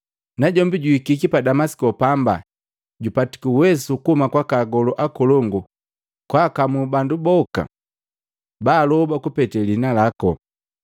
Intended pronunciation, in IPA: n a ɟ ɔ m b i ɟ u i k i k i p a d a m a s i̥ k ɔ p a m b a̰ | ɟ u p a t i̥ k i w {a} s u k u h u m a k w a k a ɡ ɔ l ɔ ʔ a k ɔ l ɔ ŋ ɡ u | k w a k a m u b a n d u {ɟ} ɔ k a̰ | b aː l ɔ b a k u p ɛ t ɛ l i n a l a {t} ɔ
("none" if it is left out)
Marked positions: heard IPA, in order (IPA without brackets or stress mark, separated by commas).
ɛ, b, k